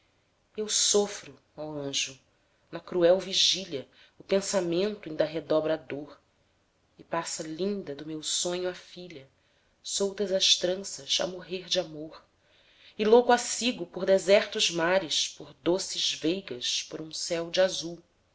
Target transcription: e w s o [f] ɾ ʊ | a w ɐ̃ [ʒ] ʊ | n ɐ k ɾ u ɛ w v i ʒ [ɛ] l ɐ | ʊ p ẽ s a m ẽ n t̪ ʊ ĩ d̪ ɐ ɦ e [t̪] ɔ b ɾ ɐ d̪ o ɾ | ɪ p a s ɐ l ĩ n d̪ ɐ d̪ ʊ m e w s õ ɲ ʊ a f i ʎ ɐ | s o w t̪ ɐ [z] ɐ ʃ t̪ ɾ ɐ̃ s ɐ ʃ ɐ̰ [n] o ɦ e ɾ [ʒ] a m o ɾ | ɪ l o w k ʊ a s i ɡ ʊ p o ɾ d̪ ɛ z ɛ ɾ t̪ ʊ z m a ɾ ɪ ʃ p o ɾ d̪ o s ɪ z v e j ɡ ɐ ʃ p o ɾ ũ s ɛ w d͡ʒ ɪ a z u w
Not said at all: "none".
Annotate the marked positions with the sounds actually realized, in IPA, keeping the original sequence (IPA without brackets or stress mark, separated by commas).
f, ʒ, i, d̪, z, m, d͡ʒ